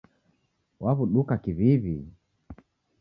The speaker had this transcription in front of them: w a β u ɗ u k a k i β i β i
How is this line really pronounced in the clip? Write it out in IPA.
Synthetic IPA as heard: w a β u ɗ u k a k i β i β i